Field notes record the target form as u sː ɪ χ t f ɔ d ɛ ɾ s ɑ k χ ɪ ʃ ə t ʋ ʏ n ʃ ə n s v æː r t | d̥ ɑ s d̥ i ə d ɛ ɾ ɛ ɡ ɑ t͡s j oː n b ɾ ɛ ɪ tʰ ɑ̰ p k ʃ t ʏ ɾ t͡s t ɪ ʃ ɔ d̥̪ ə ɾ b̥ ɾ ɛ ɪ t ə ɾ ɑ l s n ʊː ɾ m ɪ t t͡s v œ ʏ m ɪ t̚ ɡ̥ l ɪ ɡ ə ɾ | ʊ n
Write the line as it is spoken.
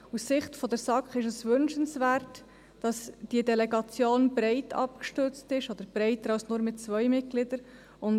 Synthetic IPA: u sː ɪ χ t f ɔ d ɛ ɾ s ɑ k χ ɪ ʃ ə s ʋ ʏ n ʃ ə n s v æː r t | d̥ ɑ s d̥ i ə d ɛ l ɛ ɡ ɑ t͡s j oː n b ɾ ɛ ɪ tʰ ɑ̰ p k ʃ t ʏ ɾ t͡s t ɪ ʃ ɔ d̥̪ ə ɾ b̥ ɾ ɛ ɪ t ə ɾ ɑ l s n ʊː ɾ m ɪ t t͡s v œ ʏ m ɪ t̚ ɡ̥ l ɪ d ə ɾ | ʊ n